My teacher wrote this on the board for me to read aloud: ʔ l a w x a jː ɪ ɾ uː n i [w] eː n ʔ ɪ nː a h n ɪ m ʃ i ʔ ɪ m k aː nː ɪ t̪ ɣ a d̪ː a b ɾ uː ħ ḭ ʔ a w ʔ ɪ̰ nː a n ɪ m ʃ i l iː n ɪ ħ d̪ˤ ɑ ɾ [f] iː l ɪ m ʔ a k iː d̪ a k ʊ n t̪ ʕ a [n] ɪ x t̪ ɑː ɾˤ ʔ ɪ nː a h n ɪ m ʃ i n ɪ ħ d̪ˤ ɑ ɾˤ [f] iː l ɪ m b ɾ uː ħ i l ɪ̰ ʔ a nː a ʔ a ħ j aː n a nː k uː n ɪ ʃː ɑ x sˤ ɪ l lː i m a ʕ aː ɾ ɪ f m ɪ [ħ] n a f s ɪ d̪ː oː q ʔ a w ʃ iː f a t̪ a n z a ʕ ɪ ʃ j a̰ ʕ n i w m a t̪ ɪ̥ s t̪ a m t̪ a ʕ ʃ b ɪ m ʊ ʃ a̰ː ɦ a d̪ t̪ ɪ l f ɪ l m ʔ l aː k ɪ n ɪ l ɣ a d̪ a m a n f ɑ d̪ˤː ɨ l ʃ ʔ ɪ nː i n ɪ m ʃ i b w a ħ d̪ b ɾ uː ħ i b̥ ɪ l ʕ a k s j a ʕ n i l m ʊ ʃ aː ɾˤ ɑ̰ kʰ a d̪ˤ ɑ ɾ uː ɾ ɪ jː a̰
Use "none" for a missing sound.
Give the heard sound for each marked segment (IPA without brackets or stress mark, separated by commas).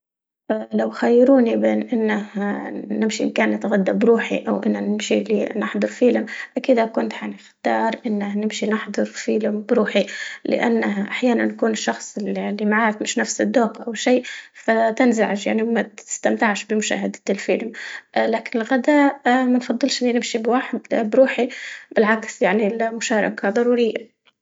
b, f, n, f, ʃ